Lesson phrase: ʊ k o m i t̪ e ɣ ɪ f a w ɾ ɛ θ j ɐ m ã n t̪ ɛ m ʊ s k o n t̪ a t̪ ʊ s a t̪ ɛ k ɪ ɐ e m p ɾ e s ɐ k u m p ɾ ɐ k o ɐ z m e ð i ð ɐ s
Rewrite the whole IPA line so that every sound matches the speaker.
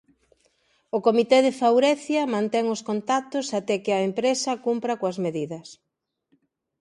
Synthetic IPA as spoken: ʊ k o m i t̪ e ð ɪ f a w ɾ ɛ θ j ɐ m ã n t̪ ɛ ŋ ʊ s k o n t̪ a t̪ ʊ s a t̪ ɛ k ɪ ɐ e m p ɾ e s ɐ k u m p ɾ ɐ k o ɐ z m e ð i ð ɐ s

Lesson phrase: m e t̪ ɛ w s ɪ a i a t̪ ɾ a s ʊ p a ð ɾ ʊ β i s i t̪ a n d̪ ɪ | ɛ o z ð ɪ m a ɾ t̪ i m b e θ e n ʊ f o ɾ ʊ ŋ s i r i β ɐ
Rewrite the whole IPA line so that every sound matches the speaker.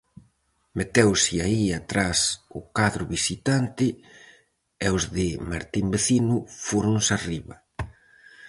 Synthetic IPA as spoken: m e t̪ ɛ w s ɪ a i a t̪ ɾ a s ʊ k a ð ɾ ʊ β i s i t̪ a n t̪ ɪ | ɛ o z ð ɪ m a ɾ t̪ i m b e θ i n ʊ f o ɾ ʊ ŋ s a r i β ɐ

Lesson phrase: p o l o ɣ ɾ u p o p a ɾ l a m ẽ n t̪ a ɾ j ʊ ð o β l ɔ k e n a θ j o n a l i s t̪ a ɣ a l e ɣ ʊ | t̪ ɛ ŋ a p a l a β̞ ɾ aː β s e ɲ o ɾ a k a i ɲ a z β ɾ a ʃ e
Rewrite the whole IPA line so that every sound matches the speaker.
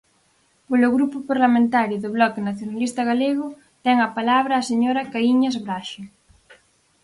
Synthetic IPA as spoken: p o l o ɣ ɾ u p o p a ɾ l a m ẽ n t̪ a ɾ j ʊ ð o β l ɔ k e n a θ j o n a l i s t̪ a ɣ a l e ɣ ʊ | t̪ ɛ ŋ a p a l a β̞ ɾ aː s e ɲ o ɾ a k a i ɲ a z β ɾ a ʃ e

